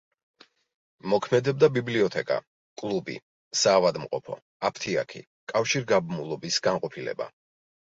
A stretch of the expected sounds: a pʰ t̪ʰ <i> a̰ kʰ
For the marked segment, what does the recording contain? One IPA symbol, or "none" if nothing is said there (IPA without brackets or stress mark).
i